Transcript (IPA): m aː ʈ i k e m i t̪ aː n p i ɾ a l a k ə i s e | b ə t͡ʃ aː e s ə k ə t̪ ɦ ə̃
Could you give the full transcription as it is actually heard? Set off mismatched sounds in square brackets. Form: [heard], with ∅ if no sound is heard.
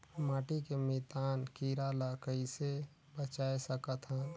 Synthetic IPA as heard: m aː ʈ i k e m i t̪ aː n [k] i ɾ a l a k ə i s e | b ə t͡ʃ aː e s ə k ə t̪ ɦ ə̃